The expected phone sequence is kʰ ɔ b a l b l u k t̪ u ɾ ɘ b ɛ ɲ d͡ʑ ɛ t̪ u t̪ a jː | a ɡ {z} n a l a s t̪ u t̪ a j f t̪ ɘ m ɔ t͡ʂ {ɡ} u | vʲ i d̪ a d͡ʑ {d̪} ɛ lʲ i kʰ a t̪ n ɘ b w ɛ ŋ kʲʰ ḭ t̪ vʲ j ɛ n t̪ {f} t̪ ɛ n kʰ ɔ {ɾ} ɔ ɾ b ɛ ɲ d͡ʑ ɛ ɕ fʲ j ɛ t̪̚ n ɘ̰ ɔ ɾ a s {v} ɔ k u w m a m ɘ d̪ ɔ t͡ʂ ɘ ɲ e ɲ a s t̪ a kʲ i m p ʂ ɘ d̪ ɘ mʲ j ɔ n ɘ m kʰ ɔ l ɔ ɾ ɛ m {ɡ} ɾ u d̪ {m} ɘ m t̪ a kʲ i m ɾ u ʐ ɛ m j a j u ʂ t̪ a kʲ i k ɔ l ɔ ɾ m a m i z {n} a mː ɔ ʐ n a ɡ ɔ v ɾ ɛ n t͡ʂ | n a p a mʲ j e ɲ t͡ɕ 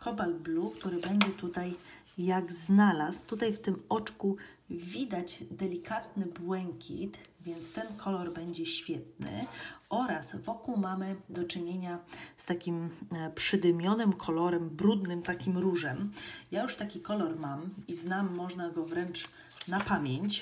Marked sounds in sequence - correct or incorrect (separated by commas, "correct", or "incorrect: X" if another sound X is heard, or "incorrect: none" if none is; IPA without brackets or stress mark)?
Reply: correct, incorrect: k, correct, incorrect: s, incorrect: l, correct, incorrect: b, incorrect: n, correct